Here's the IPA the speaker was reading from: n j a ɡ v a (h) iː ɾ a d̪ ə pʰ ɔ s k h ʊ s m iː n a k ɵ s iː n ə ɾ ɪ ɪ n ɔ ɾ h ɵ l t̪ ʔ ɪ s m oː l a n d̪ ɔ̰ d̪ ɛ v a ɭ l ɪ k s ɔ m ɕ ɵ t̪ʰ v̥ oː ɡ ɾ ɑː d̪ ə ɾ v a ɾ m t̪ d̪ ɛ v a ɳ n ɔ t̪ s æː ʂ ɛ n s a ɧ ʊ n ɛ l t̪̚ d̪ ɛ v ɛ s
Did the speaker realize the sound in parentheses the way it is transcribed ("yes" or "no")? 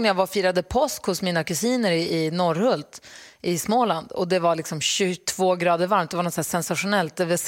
no